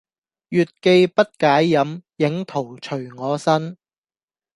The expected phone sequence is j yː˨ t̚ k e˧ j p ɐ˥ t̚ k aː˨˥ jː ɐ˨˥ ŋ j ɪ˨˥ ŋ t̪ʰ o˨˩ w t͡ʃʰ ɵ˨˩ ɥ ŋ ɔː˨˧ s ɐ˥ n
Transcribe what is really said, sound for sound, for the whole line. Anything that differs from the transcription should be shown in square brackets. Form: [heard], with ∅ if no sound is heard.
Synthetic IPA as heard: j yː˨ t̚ k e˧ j p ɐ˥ t̚ k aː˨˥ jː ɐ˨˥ [m] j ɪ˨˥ ŋ t̪ʰ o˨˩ w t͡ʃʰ ɵ˨˩ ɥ ŋ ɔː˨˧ s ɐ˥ n